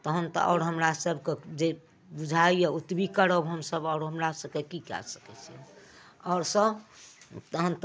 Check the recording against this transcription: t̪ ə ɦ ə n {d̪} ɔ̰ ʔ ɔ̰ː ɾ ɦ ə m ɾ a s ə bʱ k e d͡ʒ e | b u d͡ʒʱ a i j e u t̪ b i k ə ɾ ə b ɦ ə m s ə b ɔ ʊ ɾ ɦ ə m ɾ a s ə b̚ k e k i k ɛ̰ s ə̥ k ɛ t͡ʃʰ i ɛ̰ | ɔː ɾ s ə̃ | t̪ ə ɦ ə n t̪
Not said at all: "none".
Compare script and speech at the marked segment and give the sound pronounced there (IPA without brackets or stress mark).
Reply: t̪